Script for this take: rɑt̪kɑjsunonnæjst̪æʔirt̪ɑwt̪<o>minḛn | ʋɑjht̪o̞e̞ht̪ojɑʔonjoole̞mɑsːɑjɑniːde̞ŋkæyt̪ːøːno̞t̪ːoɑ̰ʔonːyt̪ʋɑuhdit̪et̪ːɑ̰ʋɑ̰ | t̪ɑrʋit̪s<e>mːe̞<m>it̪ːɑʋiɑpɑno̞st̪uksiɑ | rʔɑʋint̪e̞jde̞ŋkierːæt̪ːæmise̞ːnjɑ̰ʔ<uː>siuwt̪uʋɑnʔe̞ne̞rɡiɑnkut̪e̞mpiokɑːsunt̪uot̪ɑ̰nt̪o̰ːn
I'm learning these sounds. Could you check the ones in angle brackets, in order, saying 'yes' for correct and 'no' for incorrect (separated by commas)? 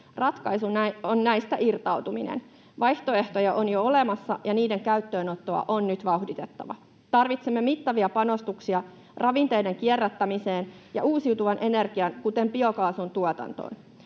no, yes, yes, yes